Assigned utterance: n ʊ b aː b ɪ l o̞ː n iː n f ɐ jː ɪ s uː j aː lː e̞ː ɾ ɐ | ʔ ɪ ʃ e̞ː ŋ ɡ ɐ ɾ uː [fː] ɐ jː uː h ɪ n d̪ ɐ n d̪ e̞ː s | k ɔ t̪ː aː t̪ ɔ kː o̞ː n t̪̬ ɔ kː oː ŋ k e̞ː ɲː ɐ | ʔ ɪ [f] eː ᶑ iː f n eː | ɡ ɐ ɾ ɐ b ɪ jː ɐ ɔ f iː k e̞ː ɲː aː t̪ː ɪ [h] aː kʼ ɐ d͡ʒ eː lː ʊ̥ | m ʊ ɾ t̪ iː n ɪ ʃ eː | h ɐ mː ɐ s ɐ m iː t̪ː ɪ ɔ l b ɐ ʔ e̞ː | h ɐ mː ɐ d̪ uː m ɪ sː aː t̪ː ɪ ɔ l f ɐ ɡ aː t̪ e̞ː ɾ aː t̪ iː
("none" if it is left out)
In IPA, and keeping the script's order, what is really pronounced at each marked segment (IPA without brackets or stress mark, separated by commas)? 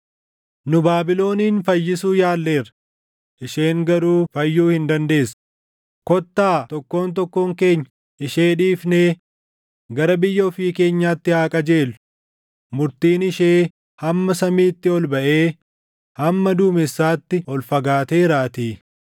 f, ʃ, h